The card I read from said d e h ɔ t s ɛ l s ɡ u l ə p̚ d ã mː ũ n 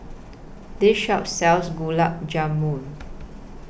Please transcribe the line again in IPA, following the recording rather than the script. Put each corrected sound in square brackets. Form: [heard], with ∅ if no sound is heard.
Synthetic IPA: d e [ʃ] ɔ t s ɛ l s ɡ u l [a] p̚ [d͡ʒ] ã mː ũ n